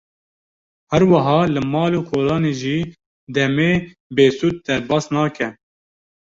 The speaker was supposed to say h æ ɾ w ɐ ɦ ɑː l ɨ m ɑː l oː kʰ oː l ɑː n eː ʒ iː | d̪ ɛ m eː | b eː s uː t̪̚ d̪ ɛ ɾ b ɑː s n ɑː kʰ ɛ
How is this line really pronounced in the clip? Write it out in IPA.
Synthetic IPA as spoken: h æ ɾ w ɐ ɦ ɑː l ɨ m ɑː l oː kʰ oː l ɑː n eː ʒ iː | d̪ ɛ m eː | b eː s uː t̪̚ d̪ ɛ ɾ b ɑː s n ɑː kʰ ɛ